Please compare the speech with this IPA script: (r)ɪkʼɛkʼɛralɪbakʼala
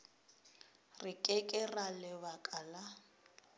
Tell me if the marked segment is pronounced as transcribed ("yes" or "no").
yes